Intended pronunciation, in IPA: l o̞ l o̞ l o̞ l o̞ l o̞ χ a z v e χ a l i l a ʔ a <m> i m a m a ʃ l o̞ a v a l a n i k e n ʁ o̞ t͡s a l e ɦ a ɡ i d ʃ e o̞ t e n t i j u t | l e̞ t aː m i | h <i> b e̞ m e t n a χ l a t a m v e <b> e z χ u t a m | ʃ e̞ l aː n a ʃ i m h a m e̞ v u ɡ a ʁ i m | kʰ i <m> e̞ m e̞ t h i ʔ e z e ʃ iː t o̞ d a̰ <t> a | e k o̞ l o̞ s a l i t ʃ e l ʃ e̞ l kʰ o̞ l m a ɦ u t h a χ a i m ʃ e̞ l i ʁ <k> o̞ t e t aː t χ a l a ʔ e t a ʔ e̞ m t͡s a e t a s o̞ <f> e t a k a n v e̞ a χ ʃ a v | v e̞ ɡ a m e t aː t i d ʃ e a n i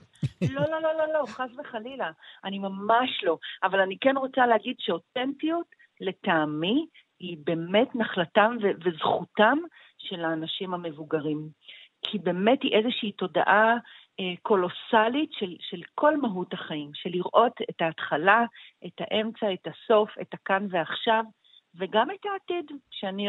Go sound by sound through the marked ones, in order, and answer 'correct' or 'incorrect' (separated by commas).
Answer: incorrect, correct, incorrect, incorrect, incorrect, incorrect, correct